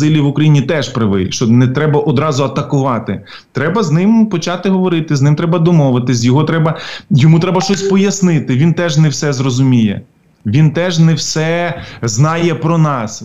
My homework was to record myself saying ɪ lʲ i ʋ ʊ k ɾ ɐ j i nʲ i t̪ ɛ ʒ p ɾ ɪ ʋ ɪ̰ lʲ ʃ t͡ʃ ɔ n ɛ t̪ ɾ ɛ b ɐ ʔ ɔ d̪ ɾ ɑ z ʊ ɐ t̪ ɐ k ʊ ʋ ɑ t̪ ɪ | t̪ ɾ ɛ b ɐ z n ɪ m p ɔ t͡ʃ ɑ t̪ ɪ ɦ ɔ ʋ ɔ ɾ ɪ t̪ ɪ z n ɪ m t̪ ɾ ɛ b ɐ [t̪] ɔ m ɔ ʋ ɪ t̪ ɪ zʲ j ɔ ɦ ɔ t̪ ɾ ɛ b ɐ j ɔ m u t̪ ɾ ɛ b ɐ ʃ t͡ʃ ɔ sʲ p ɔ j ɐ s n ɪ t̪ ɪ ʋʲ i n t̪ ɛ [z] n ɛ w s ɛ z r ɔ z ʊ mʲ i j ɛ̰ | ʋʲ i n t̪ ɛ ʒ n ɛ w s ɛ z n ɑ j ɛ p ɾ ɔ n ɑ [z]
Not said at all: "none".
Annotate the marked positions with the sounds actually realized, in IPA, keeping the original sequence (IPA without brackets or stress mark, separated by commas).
d̪, ʒ, s